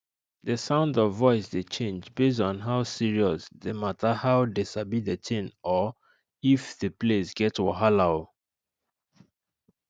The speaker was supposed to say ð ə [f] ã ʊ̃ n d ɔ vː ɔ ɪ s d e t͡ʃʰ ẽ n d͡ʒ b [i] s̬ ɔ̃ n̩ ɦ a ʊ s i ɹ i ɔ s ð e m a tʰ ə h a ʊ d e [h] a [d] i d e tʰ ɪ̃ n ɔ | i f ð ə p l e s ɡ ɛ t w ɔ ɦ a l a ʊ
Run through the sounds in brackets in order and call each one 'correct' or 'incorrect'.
incorrect: s, incorrect: e, incorrect: s, incorrect: b

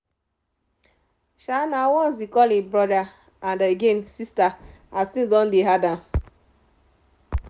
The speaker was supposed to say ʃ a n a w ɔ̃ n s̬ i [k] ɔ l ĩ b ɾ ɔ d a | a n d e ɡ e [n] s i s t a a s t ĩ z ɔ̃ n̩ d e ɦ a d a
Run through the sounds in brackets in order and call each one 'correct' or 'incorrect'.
correct, correct

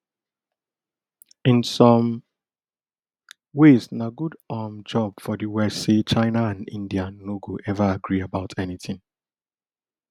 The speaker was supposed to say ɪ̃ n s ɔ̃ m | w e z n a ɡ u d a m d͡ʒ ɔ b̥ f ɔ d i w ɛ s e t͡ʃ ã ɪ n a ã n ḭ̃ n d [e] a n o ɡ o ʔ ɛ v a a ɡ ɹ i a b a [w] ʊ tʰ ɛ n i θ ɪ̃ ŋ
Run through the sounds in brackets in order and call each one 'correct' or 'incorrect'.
incorrect: i, incorrect: none

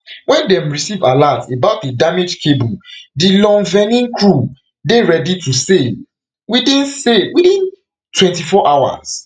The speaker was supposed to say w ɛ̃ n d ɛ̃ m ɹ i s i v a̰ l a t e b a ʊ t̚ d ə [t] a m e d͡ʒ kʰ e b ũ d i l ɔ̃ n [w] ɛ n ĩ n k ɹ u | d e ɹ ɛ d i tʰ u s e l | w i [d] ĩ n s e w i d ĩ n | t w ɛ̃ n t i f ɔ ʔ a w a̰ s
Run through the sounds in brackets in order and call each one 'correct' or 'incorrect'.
incorrect: d, incorrect: v, correct

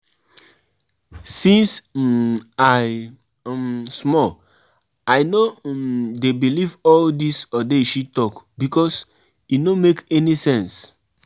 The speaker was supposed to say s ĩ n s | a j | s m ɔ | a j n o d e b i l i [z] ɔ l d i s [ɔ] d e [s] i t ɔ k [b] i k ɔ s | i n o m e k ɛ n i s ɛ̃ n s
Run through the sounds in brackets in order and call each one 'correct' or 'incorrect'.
incorrect: v, correct, incorrect: ʃ, correct

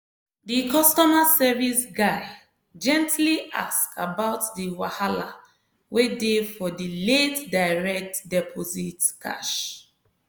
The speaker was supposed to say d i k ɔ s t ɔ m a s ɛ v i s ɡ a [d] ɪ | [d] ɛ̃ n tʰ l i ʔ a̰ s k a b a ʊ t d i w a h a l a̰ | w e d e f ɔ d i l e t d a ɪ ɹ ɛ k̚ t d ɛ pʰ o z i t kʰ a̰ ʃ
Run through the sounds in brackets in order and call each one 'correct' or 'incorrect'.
incorrect: none, incorrect: d͡ʒ

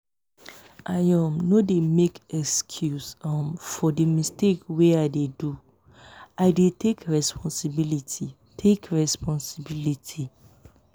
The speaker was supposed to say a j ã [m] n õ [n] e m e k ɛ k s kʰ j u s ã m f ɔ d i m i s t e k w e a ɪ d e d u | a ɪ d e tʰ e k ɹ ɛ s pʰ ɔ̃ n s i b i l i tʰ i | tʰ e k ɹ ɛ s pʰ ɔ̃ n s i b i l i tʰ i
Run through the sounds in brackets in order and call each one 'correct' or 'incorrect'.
correct, incorrect: d

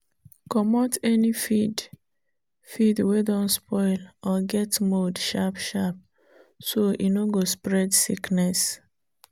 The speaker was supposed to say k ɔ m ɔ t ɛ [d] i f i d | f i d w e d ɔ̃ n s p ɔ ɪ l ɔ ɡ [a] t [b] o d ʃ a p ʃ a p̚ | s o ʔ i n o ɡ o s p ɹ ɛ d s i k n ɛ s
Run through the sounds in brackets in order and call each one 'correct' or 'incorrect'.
incorrect: n, incorrect: ɛ, incorrect: m

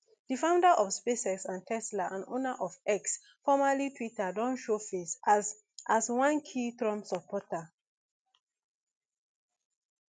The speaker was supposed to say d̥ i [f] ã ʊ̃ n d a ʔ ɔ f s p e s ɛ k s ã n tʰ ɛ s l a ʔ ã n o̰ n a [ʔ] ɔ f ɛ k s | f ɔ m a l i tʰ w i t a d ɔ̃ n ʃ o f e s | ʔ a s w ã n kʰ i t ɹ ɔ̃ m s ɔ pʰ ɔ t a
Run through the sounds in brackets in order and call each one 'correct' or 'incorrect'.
correct, correct

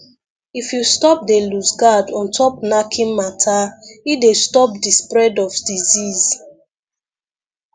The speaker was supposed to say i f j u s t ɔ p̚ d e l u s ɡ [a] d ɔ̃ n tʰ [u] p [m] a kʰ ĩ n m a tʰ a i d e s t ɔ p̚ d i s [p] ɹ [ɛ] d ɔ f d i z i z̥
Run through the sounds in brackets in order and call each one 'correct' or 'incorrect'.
correct, incorrect: ɔ, incorrect: n, correct, correct

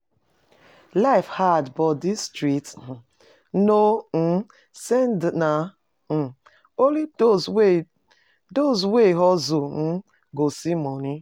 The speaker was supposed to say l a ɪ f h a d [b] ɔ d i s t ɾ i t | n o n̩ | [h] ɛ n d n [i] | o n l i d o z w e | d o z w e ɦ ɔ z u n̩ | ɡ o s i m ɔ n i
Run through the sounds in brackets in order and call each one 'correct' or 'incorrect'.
correct, incorrect: s, incorrect: a

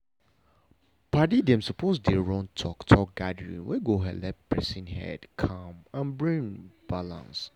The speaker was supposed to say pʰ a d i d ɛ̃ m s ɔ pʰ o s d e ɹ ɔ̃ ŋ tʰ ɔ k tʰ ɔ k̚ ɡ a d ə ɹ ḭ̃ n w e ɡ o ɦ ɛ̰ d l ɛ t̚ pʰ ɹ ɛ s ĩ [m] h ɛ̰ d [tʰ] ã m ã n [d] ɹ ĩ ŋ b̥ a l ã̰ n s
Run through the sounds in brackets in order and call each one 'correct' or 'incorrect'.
incorrect: n, incorrect: kʰ, incorrect: b

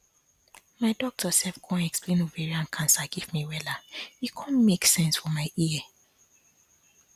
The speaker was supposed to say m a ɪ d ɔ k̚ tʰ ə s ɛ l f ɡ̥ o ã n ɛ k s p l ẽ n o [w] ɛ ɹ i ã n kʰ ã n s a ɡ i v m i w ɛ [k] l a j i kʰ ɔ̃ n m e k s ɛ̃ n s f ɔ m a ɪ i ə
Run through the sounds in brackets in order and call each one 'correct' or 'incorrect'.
incorrect: v, incorrect: none

